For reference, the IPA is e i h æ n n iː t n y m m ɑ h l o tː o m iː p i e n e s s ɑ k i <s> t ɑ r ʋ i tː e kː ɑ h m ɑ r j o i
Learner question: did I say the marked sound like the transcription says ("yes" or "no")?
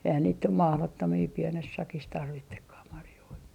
yes